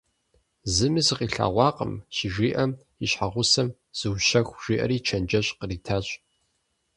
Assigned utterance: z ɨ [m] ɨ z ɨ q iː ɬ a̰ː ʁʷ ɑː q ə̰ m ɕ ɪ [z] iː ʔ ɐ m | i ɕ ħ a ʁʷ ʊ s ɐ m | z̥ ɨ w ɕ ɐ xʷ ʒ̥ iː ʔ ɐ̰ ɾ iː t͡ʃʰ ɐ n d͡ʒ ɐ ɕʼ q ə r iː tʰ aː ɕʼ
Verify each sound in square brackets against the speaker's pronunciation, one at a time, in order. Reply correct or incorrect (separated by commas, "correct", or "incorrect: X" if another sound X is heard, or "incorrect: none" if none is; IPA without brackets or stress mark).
correct, incorrect: ʒ